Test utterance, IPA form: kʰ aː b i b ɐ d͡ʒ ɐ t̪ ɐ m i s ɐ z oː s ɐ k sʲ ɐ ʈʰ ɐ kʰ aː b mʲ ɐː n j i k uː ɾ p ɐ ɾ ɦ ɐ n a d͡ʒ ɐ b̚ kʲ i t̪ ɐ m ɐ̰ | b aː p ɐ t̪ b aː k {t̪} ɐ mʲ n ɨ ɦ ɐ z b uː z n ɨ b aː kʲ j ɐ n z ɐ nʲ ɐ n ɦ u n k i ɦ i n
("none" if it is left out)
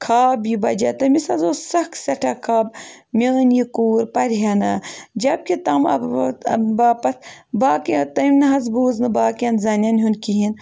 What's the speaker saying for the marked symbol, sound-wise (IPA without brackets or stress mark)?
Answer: t̪